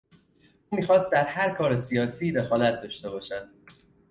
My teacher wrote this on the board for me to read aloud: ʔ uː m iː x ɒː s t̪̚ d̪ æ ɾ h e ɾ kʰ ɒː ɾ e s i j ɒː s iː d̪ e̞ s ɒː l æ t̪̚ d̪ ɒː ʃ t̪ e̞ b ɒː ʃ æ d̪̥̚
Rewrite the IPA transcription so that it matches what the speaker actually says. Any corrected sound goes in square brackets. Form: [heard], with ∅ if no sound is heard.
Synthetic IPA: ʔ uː m iː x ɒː s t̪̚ d̪ æ ɾ h [æ] ɾ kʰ ɒː ɾ e s i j ɒː s iː d̪ e̞ [x] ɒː l æ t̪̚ d̪ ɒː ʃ t̪ e̞ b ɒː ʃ æ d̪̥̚